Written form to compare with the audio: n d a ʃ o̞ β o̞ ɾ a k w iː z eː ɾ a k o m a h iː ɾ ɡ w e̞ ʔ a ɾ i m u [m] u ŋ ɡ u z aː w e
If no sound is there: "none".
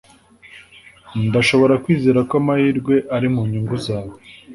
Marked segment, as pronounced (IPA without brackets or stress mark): ɲ